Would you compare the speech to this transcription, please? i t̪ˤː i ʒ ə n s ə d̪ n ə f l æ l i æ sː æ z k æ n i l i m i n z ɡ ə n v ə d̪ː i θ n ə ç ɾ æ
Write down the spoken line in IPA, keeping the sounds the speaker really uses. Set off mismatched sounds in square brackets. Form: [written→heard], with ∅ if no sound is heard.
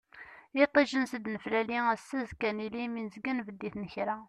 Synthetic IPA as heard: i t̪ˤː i ʒ ə n s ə d̪ n ə f l æ l i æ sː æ z k æ n i l i m i n z ɡ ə n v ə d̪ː i θ n ə ç ɾ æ